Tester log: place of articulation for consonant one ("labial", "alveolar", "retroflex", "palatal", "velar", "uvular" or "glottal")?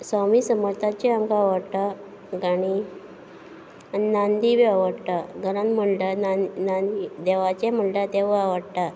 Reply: alveolar